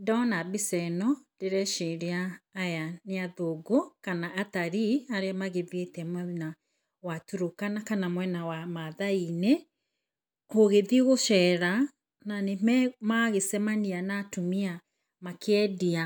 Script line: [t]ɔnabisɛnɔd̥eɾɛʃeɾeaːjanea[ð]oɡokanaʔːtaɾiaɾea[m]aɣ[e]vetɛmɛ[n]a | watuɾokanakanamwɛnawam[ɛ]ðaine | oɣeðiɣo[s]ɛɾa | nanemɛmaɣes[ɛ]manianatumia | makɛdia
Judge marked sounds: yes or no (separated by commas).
no, yes, yes, yes, yes, no, no, yes